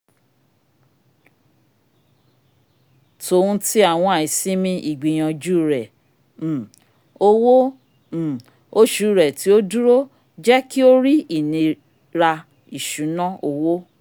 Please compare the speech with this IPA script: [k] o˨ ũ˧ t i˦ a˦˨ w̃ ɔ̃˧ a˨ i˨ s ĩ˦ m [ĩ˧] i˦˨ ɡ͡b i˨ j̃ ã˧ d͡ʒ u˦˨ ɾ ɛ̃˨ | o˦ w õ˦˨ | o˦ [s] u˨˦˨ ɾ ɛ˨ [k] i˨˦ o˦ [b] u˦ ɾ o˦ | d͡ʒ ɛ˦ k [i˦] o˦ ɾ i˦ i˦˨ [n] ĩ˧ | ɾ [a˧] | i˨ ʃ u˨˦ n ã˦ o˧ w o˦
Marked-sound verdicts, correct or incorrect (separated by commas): incorrect, correct, incorrect, incorrect, incorrect, correct, correct, correct